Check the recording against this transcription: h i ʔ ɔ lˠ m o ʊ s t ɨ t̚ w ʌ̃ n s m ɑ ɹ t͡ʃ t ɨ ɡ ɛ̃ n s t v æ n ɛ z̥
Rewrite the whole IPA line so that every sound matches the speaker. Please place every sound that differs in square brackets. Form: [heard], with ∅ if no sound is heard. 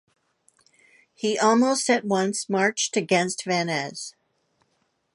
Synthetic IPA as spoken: h i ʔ ɔ lˠ m o ʊ s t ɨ t̚ w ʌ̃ n s m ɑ ɹ t͡ʃ t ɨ ɡ ɛ̃ n s t v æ n ɛ z̥